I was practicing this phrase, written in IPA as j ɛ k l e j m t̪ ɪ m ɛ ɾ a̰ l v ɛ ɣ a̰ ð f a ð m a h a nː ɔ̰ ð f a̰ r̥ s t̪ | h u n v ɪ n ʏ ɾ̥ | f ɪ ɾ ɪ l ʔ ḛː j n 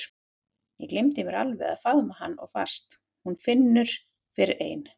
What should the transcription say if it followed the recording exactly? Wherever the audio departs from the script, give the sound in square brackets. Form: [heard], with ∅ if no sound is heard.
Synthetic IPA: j ɛ k l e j m t̪ ɪ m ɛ ɾ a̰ l v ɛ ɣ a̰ ð f a ð m a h a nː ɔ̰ [ɣ] f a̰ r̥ s t̪ | h u n [f] ɪ [nː] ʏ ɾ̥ | f ɪ ɾ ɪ [ɾ] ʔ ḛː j n